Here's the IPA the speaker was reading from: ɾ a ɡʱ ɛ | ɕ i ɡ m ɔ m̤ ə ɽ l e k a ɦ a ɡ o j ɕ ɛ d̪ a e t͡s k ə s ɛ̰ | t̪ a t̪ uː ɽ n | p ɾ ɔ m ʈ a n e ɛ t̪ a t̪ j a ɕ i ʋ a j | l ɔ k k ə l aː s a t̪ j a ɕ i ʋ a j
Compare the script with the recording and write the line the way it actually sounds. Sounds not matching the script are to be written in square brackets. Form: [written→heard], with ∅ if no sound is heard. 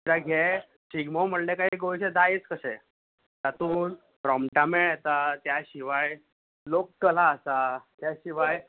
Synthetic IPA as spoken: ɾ a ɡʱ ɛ | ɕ i ɡ m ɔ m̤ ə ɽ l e k a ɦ [a→i] ɡ o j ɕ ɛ d̪ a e t͡s k ə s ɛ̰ | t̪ a t̪ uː [ɽ→∅] n | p ɾ ɔ m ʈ a [n→m] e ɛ t̪ a t̪ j a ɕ i ʋ a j | l [ɔ→o] k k ə l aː s a t̪ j a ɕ i ʋ a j